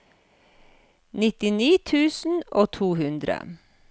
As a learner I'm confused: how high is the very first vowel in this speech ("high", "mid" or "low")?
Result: high